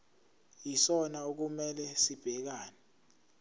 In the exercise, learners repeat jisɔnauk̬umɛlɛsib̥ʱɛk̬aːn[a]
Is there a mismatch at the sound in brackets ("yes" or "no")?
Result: yes